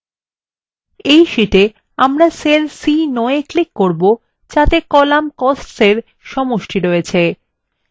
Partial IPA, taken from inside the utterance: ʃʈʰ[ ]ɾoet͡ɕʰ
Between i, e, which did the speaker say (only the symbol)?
i